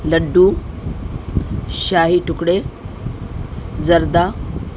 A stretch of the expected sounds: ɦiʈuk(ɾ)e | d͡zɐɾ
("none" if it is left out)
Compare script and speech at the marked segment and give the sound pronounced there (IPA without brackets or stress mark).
ɽ